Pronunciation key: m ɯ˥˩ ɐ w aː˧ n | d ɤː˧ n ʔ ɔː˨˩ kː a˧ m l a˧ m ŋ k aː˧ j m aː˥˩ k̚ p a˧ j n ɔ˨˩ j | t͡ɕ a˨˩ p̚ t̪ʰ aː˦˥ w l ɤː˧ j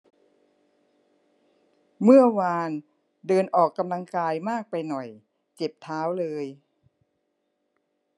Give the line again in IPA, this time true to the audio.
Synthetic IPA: m ɯ˥˩ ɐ w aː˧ n | d ɤː˧ n ʔ ɔː˨˩ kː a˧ m l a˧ ŋ k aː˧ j m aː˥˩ k̚ p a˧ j n ɔ˨˩ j | t͡ɕ e˨˩ p̚ t̪ʰ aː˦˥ w l ɤː˧ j